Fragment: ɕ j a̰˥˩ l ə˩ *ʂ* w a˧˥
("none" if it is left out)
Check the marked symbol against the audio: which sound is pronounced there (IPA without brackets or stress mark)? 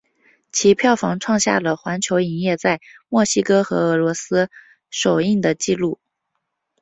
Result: x